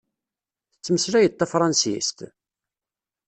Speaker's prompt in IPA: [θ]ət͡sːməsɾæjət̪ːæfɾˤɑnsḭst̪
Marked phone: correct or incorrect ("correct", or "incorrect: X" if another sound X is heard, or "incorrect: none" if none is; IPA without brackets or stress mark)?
correct